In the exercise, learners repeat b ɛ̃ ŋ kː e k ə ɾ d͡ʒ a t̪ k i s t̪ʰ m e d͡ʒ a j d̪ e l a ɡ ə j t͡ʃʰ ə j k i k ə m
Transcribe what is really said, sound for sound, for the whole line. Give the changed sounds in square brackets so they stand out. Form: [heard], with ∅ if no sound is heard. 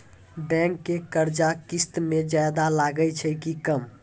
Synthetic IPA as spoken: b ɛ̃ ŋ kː e k ə ɾ d͡ʒ a [∅] k i s [t̪] m e d͡ʒ a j d̪ [a] l a ɡ ə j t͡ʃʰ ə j k i k ə m

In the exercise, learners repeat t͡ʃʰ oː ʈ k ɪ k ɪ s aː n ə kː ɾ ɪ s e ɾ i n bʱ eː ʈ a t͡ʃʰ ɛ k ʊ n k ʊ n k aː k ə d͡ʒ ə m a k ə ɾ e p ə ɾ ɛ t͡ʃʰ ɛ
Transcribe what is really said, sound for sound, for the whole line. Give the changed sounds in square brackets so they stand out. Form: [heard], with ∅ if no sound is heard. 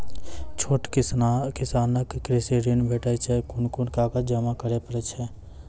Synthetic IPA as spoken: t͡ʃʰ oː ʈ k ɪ k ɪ s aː n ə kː ɾ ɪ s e ɾ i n bʱ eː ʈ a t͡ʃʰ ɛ k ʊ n k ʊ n k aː k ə d͡ʒ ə m a k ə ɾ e p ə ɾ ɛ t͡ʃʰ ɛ

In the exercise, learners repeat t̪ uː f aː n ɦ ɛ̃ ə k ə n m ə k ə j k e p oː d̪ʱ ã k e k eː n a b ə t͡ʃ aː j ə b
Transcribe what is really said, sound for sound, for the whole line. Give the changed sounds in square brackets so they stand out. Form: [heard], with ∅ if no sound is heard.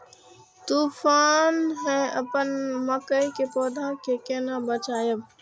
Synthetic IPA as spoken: t̪ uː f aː n ɦ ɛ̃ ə [p] ə n m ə k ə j k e p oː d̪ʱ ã k e k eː n a b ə t͡ʃ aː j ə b

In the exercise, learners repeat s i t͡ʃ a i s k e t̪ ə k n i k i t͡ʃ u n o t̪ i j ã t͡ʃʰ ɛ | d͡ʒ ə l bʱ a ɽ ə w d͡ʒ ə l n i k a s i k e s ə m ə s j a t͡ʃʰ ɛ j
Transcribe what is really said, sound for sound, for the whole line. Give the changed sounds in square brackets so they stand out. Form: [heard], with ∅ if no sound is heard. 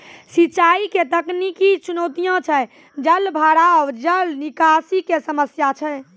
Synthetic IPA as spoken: s i t͡ʃ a i [∅] k e t̪ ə k n i k i t͡ʃ u n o t̪ i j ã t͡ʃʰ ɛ | d͡ʒ ə l bʱ a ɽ [a] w d͡ʒ ə l n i k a s i k e s ə m ə s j a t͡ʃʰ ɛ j

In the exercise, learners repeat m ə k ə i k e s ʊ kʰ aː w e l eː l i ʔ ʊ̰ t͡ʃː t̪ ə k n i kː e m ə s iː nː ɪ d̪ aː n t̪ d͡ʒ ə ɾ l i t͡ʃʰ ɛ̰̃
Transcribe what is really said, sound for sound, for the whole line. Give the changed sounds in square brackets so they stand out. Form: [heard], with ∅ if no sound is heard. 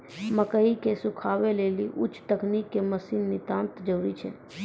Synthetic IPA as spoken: m ə k ə i k e s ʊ kʰ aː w e l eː l i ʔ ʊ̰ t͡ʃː t̪ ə k n i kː e m ə s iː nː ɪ [t̪] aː n t̪ d͡ʒ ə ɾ [ɾ] i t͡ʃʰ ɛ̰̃

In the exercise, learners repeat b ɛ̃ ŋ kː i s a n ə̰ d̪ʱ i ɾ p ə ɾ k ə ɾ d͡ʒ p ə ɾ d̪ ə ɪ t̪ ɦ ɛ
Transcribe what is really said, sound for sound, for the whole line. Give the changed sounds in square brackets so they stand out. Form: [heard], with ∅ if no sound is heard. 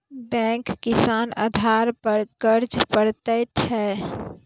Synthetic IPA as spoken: b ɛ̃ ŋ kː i s a n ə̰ d̪ʱ [a] ɾ p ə ɾ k ə ɾ d͡ʒ p ə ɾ [t̪] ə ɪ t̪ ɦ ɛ

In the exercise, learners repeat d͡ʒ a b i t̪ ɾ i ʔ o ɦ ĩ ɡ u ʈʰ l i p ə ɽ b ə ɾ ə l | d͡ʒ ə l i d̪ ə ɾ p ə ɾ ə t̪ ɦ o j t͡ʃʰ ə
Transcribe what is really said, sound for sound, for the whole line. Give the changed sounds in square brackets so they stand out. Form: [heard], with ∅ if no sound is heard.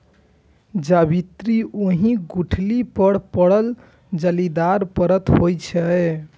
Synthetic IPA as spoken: d͡ʒ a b i t̪ ɾ i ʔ o ɦ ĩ ɡ u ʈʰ l i p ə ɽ [p] ə [ɽ] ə l | d͡ʒ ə l i d̪ [a] ɾ p ə ɾ ə t̪ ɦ o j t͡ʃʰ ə

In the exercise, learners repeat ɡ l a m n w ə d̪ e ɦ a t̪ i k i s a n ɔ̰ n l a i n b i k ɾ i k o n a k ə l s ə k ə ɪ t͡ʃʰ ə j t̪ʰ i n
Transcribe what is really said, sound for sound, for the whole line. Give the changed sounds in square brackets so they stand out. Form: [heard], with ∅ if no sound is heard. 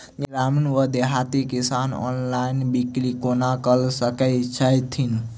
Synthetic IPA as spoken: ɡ [ɾ] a m n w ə d̪ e ɦ a t̪ i k i s a n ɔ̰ n l a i n b i k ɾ i k o n a k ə l s ə k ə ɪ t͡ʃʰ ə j t̪ʰ i n

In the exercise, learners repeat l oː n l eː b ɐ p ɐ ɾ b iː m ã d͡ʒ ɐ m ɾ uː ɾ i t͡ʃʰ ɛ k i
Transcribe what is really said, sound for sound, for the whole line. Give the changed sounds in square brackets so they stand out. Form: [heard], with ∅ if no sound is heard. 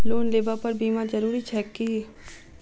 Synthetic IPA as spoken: l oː n l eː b [a] p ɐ ɾ b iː m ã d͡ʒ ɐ [∅] ɾ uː ɾ i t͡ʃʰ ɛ k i

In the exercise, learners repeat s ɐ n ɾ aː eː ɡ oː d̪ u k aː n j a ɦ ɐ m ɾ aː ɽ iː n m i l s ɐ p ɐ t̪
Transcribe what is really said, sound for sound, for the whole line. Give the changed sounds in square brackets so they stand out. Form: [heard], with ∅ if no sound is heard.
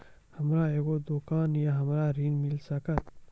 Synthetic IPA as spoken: [h] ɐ [m] ɾ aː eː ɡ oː d̪ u k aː n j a ɦ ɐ m ɾ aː [ɾ] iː n m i l s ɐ [k] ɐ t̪

